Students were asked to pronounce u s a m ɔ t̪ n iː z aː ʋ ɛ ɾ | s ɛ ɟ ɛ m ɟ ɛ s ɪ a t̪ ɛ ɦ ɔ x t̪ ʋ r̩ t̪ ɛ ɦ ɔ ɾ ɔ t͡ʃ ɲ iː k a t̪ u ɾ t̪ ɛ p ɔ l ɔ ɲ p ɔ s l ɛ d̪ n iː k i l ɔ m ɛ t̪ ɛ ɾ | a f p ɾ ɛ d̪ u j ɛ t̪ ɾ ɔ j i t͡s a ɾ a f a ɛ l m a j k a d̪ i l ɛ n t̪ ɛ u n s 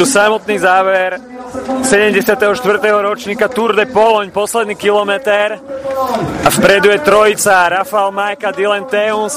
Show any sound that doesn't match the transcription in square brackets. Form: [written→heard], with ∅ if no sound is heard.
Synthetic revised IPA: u s a m ɔ t̪ n iː z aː ʋ ɛ ɾ | s ɛ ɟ ɛ m ɟ ɛ s ɪ a t̪ ɛ ɦ ɔ [x→ʃ] t̪ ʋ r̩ t̪ ɛ ɦ ɔ ɾ ɔ t͡ʃ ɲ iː k a t̪ u ɾ [t̪→d̪] ɛ p ɔ l ɔ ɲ p ɔ s l ɛ d̪ n iː k i l ɔ m ɛ t̪ ɛ ɾ | a f p ɾ ɛ d̪ u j ɛ t̪ ɾ ɔ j i t͡s a ɾ a f a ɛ l m a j k a d̪ i l ɛ n t̪ ɛ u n s